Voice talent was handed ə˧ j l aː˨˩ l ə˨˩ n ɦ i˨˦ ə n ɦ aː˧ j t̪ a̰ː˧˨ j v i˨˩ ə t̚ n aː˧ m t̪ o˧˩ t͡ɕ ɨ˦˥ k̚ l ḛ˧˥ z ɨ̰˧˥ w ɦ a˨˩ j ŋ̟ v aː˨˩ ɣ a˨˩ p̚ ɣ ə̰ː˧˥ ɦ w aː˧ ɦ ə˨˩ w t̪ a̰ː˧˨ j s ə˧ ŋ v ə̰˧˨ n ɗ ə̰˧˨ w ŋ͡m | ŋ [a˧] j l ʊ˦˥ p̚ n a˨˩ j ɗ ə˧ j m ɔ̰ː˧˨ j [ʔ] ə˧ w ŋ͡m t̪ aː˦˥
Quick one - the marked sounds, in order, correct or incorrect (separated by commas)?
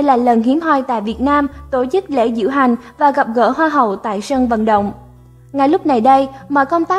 incorrect, incorrect